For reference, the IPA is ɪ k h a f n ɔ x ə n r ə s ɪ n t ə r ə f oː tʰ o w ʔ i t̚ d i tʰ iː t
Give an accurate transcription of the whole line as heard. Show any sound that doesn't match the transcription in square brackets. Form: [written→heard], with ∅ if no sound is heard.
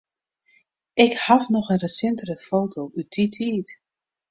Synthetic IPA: ɪ k h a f n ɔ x ə n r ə s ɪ n t ə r ə f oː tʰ o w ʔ [i→y] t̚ d i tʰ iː t